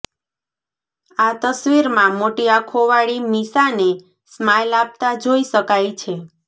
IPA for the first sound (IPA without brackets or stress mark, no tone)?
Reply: a